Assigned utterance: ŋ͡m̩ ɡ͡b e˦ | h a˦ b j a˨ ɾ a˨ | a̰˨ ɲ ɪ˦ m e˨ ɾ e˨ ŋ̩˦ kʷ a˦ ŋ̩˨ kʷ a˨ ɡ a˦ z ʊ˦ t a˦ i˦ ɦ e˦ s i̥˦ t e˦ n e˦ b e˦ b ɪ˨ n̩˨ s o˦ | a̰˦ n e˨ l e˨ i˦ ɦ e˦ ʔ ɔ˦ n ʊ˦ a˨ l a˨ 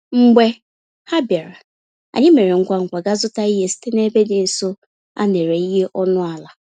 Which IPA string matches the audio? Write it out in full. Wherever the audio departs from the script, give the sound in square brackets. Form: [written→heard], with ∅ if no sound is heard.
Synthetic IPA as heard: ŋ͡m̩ ɡ͡b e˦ | h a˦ b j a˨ ɾ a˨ | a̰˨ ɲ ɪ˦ m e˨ ɾ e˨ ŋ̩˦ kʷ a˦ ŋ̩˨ kʷ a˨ ɡ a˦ z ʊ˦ t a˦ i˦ ɦ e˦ s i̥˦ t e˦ n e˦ b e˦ [b→d] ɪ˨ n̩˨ s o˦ | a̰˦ n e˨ [l→ɾ] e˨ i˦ ɦ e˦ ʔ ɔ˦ n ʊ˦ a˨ l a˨